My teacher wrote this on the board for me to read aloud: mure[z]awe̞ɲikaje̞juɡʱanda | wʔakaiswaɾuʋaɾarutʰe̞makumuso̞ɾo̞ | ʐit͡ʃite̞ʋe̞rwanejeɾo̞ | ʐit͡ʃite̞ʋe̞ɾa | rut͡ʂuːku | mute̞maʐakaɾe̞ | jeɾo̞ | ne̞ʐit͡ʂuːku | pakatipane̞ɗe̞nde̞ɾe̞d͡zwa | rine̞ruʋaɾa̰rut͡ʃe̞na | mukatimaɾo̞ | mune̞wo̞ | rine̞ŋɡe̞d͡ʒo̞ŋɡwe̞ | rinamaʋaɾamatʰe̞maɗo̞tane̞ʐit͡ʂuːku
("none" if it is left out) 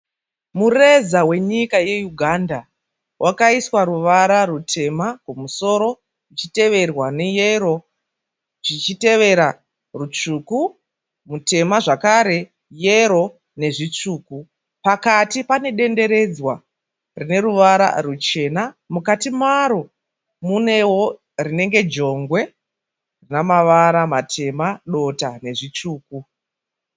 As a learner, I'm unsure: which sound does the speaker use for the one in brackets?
z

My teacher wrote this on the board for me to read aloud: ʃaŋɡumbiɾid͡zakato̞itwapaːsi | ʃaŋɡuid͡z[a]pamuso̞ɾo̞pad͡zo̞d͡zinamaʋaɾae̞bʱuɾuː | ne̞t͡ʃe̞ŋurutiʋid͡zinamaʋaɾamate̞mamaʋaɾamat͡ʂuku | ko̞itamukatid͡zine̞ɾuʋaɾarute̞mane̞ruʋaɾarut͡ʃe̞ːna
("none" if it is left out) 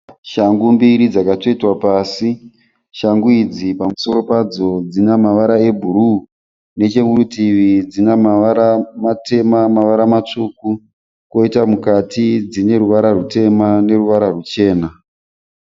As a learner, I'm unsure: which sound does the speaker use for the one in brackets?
i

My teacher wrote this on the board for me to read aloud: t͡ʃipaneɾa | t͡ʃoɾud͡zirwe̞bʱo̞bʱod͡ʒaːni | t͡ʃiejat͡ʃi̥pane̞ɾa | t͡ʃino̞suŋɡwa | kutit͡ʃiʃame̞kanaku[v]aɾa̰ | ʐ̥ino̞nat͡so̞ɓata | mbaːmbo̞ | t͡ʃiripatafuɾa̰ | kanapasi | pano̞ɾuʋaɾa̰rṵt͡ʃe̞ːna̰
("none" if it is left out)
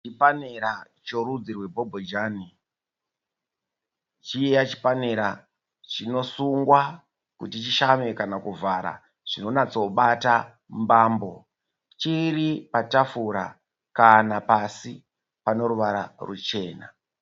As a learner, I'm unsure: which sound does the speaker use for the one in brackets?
v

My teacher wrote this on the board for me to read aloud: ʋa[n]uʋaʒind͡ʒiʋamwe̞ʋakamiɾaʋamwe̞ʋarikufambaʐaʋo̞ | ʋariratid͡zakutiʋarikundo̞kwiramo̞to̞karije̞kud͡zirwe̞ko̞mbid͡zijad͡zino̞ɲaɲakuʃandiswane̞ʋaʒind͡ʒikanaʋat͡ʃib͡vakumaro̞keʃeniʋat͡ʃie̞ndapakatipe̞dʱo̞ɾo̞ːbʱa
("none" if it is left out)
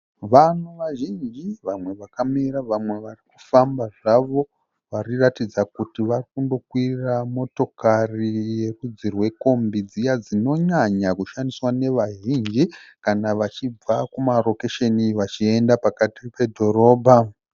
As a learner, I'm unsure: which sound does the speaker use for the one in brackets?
n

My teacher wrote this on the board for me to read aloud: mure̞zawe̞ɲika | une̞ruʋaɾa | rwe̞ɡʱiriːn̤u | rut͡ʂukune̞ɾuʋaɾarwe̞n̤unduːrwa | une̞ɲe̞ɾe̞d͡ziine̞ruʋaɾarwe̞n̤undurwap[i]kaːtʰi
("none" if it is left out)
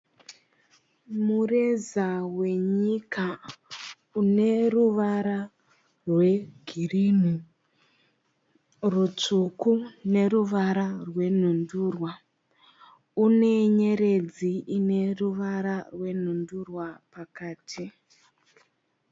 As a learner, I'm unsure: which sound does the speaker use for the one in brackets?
a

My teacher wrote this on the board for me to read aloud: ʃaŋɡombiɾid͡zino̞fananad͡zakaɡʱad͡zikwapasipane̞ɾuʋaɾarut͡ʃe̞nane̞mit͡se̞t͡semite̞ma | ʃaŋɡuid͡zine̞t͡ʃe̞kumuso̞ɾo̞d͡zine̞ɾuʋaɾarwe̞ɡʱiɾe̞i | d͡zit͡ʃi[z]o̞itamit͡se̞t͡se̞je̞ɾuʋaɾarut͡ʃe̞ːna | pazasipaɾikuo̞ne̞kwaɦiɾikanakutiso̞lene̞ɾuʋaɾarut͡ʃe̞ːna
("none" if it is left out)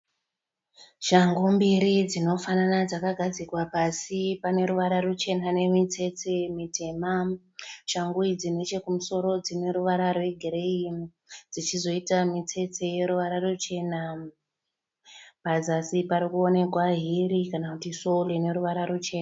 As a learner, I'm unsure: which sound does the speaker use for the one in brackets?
z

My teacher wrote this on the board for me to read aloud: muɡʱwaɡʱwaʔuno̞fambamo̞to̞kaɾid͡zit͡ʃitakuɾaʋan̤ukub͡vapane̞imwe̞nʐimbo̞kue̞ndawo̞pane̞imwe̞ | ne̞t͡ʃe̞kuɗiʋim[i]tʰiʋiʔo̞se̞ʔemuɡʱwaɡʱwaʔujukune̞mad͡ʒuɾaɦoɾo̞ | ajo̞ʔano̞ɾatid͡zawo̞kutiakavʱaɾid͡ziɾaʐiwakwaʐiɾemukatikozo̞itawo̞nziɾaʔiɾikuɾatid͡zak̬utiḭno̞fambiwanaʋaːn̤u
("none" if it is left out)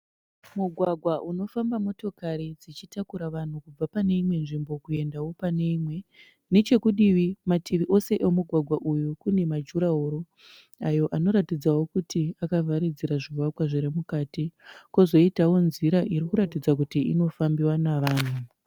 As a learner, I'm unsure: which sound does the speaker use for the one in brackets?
a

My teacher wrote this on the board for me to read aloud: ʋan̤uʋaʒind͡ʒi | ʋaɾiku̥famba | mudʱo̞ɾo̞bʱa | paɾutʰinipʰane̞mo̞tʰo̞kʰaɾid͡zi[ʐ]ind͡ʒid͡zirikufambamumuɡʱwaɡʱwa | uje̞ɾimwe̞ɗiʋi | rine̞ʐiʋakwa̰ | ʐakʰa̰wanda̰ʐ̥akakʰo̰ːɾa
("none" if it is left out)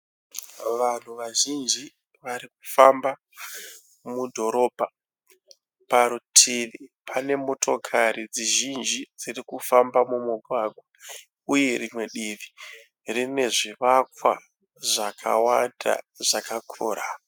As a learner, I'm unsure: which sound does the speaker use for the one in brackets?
ʒ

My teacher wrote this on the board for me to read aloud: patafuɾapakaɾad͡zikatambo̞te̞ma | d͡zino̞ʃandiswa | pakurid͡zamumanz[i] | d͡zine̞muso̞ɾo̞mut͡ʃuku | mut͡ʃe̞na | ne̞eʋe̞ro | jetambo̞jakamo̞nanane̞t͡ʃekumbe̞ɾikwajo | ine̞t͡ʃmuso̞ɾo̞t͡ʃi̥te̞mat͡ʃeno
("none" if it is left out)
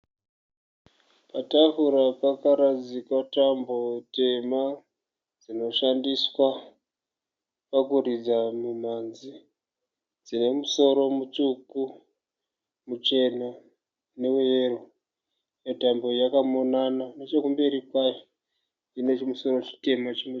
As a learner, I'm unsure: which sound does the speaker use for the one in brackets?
i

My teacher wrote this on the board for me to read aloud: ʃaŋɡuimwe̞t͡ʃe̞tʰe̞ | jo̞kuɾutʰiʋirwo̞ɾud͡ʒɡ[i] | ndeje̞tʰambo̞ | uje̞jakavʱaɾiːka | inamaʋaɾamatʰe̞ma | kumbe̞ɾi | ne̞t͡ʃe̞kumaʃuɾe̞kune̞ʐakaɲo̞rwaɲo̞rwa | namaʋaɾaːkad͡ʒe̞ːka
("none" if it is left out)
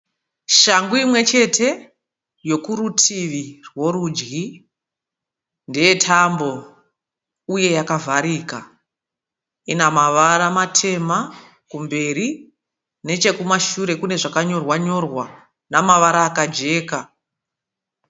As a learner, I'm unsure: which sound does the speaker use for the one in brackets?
i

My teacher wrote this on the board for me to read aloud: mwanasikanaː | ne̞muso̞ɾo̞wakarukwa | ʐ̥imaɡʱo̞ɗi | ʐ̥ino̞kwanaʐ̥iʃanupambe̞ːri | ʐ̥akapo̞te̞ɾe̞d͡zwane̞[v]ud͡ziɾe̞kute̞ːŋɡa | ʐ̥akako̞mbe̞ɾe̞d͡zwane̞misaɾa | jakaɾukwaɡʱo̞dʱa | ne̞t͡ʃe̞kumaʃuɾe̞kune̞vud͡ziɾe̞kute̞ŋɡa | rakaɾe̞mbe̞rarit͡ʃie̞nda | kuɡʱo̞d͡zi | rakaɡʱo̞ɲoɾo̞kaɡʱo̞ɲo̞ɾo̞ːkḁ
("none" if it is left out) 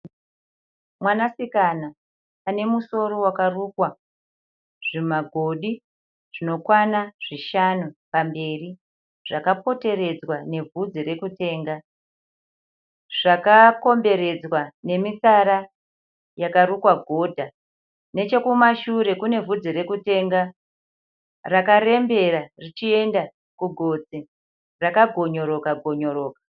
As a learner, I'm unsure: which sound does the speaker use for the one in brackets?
v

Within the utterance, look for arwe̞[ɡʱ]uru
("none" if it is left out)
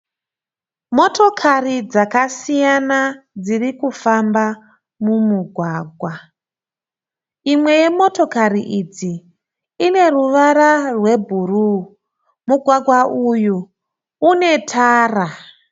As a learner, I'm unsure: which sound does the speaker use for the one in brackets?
bʱ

